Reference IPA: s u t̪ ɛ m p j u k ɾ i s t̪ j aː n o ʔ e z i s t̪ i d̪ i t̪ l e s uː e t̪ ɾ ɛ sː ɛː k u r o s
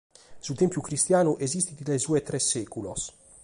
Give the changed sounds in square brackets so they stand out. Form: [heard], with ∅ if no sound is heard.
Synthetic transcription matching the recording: s u t̪ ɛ m p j u k ɾ i s t̪ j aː n [u] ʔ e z i s t̪ i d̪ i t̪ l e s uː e t̪ ɾ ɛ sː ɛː k u [l] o s